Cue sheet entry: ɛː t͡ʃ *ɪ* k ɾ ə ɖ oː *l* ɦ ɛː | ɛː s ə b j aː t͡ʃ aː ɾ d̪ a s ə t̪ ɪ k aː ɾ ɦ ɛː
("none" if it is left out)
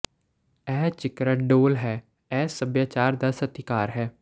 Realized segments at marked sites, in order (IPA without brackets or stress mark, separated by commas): ɪ, l